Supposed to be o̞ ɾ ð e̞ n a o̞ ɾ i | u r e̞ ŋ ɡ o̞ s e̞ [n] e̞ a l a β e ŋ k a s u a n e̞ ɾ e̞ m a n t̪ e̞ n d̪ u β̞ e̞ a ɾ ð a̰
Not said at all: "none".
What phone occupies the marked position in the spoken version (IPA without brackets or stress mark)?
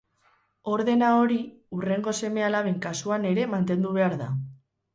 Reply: m